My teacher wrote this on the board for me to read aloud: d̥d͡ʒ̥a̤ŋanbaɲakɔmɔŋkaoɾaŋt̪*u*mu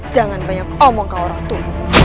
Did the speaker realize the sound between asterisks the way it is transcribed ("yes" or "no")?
yes